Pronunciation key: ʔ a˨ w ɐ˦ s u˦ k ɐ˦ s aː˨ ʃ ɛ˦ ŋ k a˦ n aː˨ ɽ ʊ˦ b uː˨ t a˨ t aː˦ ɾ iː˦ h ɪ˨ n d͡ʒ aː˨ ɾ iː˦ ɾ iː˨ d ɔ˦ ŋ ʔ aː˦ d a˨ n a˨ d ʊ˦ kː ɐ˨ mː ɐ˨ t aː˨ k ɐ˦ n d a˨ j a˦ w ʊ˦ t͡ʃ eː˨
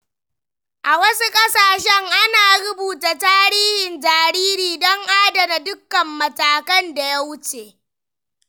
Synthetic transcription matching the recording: ʔ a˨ w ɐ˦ s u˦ kʼ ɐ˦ s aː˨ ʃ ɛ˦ ŋ ʔ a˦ n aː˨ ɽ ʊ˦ b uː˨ t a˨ t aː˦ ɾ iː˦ h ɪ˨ n d͡ʒ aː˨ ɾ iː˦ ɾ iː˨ d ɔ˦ ŋ ʔ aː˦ d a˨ n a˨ d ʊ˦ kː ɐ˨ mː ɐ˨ t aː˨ k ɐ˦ n d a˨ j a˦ w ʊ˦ t͡ʃ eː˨